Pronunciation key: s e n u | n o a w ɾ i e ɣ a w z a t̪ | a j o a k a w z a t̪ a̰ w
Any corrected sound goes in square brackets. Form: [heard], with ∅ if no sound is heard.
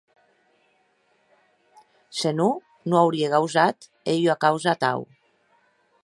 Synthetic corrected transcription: s e n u | n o a w ɾ i e ɣ a w z a t̪ | [e] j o a k a w z a t̪ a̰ w